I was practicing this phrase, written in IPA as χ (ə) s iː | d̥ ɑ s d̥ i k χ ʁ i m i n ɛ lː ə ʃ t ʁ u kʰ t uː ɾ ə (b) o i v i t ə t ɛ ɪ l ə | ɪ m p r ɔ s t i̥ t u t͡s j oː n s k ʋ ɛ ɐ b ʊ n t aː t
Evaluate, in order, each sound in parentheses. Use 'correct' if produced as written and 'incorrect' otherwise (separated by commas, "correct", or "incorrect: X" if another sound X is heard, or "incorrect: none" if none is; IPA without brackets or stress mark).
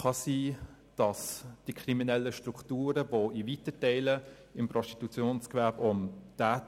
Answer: incorrect: ɑ, incorrect: v